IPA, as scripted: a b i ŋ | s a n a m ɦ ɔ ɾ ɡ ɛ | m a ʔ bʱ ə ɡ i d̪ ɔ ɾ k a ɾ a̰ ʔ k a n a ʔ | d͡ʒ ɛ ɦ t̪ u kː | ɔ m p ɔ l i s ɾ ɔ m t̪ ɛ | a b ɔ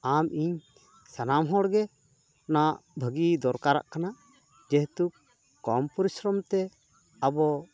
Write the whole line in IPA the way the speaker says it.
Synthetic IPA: a m i ɲ | s a n a m ɦ ɔ ɽ ɡ ɛ | n a ʔ bʱ ə ɡ i d̪ ɔ ɾ k a ɾ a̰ ʔ k a n a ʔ | d͡ʒ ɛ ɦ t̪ u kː | ɔ m p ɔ ɾ i s ɾ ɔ m t̪ ɛ | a b ɔ

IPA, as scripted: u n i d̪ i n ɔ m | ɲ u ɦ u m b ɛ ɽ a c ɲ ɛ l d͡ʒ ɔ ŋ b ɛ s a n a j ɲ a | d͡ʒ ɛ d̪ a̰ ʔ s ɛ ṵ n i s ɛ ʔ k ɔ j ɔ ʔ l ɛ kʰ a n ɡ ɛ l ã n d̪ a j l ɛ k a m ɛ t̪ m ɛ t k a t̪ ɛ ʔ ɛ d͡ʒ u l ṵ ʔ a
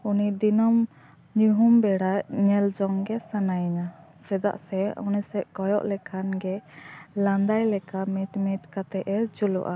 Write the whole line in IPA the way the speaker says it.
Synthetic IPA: u n i d̪ i n ɔ m | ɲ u ɦ u m b ɛ ɽ a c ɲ ɛ l d͡ʒ ɔ ŋ ɡ ɛ s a n a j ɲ a | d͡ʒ ɛ d̪ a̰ ʔ s ɛ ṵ n i s ɛ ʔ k ɔ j ɔ ʔ l ɛ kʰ a n ɡ ɛ l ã n d̪ a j l ɛ k a m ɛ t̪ m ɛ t k a t̪ ɛ ʔ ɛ d͡ʒ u l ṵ ʔ a

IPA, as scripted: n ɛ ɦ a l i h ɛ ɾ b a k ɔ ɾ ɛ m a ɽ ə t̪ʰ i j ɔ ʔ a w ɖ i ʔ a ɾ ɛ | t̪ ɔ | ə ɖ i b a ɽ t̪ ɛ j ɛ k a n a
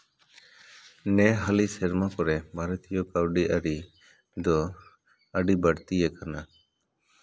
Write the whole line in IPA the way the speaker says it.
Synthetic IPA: n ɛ ɦ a l i s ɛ ɾ m a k ɔ ɾ ɛ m a ɾ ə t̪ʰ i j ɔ k a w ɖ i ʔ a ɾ i | d̪ ɔ | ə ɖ i b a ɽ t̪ i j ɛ k a n a

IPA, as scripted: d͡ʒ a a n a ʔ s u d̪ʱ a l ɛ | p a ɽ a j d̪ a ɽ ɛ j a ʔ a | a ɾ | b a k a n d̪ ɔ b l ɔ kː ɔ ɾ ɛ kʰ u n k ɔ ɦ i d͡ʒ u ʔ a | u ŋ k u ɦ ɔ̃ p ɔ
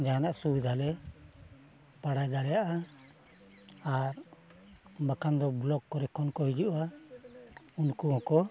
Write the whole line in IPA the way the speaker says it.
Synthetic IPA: d͡ʒ a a n a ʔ s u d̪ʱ a l ɛ | p a ɽ a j d̪ a ɽ ɛ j a ʔ a | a ɾ | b a k a n d̪ ɔ b l ɔ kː ɔ ɾ ɛ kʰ ɔ n k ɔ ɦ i d͡ʒ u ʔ a | u n k u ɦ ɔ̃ k ɔ

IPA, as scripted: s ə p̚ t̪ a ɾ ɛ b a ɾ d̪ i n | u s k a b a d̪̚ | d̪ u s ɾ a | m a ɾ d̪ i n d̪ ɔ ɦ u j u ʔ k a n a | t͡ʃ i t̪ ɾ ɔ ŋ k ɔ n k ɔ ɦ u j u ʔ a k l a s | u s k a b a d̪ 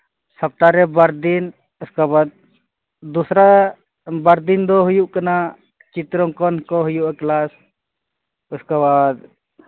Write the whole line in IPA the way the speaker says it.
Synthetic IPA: s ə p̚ t̪ a ɾ ɛ b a ɾ d̪ i n | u s k a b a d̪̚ | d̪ u s ɾ a | b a ɾ d̪ i n d̪ ɔ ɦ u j u ʔ k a n a | t͡ʃ i t̪ ɾ ɔ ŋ k ɔ n k ɔ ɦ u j u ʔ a k l a s | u s k a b a d̪

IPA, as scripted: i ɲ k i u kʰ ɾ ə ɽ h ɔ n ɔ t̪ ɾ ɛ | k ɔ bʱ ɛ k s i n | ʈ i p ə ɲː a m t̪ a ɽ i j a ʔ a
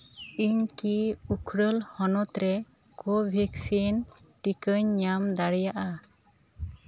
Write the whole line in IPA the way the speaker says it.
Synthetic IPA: i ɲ k i u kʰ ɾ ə l h ɔ n ɔ t̪ ɾ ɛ | k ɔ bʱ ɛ k s i n | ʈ i k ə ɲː a m d̪ a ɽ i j a ʔ a

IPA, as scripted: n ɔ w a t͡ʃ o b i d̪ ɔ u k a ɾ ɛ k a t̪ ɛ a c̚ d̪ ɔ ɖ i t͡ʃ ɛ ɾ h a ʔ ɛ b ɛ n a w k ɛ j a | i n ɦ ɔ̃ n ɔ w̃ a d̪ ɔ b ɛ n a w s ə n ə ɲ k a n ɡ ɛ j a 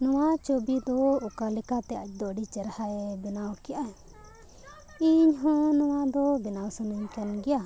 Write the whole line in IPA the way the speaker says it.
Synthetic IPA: n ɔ w a t͡ʃ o b i d̪ ɔ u k a l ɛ k a t̪ ɛ a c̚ d̪ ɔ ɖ i t͡ʃ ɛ ɾ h a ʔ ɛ b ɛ n a w k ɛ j a | i ɲ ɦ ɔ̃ n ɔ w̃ a d̪ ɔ b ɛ n a w s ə n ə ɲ k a n ɡ ɛ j a

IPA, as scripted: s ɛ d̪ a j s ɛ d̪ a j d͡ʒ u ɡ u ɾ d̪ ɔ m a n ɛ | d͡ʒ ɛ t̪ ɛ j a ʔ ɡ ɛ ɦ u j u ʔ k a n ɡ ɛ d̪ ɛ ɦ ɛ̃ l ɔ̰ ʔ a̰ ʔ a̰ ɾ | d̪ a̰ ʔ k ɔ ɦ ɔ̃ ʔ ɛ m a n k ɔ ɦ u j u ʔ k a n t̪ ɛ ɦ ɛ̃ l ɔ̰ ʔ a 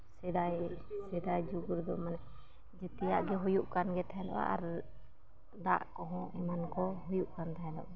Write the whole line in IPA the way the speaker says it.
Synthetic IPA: s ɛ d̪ a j s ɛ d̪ a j d͡ʒ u ɡ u ɾ d̪ ɔ m a n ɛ | d͡ʒ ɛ t̪ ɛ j a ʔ ɡ ɛ ɦ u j u ʔ k a n ɡ ɛ t̪ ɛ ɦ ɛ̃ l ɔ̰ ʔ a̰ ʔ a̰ ɾ | d̪ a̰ ʔ k ɔ ɦ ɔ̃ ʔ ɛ m a n k ɔ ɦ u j u ʔ k a n t̪ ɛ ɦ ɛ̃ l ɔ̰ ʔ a

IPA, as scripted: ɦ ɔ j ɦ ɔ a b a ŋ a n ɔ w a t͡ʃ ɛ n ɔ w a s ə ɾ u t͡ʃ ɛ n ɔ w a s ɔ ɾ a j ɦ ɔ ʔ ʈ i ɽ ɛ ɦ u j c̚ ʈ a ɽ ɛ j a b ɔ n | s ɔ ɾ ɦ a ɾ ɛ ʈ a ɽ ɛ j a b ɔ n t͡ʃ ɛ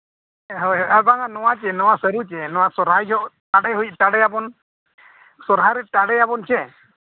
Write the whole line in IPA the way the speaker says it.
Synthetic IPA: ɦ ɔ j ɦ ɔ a b a ŋ a n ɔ w a t͡ʃ ɛ n ɔ w a s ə ɾ u t͡ʃ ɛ n ɔ w a s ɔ ɾ a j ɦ ɔ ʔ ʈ a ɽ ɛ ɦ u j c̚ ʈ a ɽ ɛ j a b ɔ n | s ɔ ɾ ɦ a ɾ ɛ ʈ a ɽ ɛ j a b ɔ n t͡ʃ ɛ

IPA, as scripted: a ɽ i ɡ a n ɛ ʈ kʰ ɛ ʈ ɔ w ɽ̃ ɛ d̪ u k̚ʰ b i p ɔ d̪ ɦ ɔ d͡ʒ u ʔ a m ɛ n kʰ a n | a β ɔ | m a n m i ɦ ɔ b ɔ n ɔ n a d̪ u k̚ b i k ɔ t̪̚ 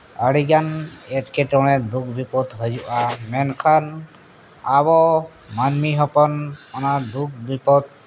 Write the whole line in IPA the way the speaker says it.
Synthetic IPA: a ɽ i ɡ a n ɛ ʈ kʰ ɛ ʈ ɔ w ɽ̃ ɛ d̪ u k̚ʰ b i p ɔ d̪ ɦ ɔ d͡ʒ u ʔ a m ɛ n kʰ a n | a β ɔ | m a n m i ɦ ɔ p ɔ n ɔ n a d̪ u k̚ b i p ɔ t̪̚

